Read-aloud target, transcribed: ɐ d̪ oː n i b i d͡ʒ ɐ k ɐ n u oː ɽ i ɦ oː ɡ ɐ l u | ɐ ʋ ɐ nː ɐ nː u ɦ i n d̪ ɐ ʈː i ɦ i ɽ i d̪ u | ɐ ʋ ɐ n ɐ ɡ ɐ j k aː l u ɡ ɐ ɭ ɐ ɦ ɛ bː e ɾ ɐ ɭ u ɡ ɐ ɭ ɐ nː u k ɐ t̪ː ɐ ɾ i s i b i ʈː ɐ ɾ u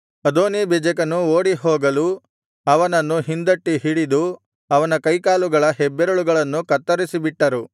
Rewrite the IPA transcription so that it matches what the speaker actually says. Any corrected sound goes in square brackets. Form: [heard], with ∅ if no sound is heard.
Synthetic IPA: ɐ d̪ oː n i b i d͡ʒ ɐ k ɐ n u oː ɽ i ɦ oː ɡ ɐ l u | ɐ ʋ ɐ [n] ɐ nː u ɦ i n d̪ ɐ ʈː i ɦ i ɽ i d̪ u | ɐ ʋ ɐ n ɐ [k] ɐ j k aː l u ɡ ɐ ɭ ɐ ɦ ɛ bː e ɾ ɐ ɭ u ɡ ɐ ɭ ɐ nː u k ɐ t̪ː ɐ ɾ i s i b i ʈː ɐ ɾ u